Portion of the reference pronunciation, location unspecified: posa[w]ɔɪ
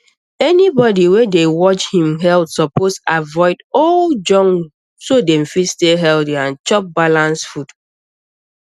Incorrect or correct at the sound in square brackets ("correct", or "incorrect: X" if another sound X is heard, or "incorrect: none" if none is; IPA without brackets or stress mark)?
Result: incorrect: v